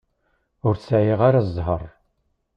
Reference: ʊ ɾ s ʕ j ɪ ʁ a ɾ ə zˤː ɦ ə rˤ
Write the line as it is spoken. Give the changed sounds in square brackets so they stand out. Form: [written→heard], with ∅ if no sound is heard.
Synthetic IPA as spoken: ʊ ɾ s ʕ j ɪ ʁ a ɾ [ə→a] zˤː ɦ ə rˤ